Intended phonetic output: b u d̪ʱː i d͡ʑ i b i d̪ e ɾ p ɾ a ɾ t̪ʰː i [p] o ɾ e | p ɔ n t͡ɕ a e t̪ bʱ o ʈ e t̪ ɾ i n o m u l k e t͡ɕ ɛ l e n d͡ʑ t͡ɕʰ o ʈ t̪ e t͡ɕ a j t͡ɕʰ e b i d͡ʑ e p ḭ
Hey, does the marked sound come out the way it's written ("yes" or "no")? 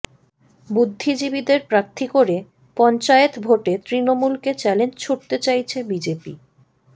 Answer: no